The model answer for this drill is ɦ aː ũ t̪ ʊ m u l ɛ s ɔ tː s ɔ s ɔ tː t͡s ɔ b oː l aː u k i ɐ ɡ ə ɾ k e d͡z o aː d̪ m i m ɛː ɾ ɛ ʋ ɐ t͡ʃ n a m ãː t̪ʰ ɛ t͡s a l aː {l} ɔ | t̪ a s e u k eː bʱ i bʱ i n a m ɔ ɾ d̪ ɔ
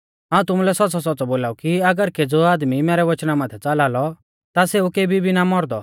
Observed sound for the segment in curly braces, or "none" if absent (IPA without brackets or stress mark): l